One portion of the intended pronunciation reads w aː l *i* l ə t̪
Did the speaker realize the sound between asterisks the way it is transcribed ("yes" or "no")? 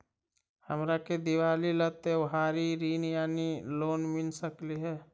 yes